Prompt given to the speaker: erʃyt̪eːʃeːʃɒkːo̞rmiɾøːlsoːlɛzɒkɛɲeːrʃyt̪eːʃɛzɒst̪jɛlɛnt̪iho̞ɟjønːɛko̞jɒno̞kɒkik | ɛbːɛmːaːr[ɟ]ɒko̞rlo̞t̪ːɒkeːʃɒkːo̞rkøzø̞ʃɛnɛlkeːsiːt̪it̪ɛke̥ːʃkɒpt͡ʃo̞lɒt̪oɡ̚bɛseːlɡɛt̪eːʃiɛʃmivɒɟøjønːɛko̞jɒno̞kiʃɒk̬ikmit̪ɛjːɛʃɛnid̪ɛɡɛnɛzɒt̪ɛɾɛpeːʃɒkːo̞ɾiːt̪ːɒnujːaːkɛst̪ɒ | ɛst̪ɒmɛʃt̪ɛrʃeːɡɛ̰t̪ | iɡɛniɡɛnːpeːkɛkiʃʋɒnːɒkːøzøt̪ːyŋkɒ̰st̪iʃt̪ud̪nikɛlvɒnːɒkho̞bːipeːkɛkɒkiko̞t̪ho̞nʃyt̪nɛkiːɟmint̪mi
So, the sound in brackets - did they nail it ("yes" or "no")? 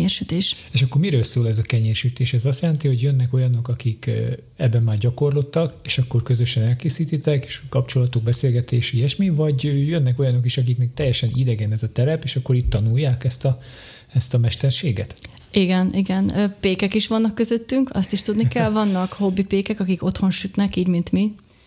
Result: yes